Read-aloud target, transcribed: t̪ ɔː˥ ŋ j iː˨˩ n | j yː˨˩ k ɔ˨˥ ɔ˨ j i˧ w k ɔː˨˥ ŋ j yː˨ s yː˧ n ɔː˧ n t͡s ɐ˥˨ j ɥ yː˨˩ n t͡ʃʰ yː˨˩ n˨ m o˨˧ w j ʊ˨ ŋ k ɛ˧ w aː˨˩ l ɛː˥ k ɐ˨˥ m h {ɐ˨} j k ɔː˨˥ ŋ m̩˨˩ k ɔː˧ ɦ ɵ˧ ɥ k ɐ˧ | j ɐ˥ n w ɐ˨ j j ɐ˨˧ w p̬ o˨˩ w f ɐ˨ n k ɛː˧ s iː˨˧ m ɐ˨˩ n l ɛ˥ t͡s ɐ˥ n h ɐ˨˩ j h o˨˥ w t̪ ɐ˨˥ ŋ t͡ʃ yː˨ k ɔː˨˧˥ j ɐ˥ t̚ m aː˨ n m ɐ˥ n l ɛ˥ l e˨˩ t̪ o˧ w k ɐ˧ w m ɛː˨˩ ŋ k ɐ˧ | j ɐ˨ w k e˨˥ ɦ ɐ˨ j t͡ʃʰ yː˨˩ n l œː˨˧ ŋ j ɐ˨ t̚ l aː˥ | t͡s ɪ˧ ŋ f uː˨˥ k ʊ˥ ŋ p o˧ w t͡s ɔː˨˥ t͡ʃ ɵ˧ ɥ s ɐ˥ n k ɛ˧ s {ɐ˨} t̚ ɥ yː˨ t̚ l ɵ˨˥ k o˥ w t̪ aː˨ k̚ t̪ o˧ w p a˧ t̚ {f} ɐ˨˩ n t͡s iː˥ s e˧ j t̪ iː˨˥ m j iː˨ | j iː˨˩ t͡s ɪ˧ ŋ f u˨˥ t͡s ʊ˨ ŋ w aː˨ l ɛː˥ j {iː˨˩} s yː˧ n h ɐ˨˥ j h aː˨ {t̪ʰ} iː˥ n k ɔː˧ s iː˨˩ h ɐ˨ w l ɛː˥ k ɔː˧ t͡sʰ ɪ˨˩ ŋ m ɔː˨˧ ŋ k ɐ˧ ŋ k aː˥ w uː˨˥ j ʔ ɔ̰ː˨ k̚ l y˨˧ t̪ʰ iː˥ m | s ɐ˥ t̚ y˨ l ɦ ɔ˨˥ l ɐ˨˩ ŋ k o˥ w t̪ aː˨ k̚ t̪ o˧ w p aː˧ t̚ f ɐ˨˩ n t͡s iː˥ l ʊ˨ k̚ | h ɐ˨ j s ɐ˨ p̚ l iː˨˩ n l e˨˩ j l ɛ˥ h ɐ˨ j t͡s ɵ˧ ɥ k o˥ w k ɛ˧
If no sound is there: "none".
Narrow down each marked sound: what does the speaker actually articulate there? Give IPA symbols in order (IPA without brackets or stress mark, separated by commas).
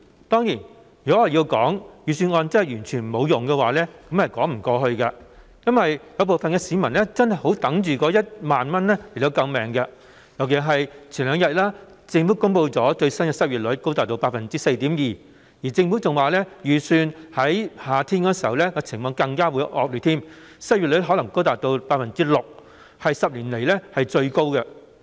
ɐ˨, ɐ˥, f, yː˨˩, t̪ʰ